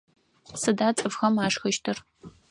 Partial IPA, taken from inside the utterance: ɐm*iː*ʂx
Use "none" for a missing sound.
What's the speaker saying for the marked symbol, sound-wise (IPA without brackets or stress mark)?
aː